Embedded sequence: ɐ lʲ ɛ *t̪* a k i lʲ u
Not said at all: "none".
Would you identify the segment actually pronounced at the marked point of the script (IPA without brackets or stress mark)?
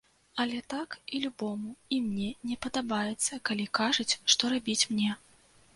t̪